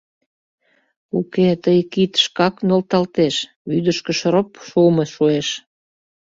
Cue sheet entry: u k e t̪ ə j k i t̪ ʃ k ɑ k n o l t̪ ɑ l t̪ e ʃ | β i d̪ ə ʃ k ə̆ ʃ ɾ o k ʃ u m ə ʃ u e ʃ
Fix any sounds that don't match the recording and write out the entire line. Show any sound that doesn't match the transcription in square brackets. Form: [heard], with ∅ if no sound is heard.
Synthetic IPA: u k e t̪ ə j k i t̪ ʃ k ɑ k n o l t̪ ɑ l t̪ e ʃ | β [y] d̪ ə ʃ k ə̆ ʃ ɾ o [p] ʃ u m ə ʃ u e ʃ